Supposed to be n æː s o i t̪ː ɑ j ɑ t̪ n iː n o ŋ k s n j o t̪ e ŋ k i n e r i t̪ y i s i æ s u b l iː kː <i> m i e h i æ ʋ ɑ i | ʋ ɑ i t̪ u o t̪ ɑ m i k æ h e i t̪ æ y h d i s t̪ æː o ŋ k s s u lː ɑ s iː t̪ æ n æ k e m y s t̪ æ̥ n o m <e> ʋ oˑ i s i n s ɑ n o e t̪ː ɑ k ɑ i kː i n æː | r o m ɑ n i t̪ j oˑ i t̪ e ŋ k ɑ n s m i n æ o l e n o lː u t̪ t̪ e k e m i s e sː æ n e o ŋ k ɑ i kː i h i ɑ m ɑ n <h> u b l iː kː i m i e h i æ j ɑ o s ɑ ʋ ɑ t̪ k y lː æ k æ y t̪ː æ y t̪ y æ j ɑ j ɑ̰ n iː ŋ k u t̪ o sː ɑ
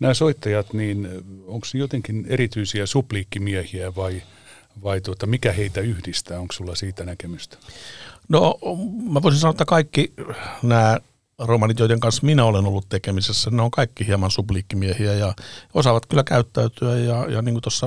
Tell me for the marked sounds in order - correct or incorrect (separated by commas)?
correct, incorrect, incorrect